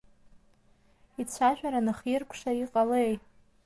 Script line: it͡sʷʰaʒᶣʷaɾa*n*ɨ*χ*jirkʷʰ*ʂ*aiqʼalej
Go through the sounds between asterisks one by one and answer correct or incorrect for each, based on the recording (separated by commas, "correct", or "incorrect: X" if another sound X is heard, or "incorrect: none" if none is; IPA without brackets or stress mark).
correct, correct, correct